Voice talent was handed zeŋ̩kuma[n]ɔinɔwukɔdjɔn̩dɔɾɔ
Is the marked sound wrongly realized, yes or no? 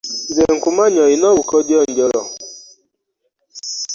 yes